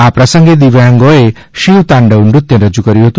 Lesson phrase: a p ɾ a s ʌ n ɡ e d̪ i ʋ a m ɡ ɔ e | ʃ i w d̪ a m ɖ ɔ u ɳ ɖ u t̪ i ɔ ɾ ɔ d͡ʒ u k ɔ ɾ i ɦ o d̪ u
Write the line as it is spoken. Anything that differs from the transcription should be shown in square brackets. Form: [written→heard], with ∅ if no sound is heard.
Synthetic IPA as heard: a p ɾ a s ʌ [n→ŋ] ɡ e d̪ i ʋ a [m→ŋ] ɡ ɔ e | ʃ i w [d̪→t̪] a [m→ɳ] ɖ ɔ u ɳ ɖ u t̪ [i→j] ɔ ɾ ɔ d͡ʒ u k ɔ ɾ i ɦ o [d̪→t̪] u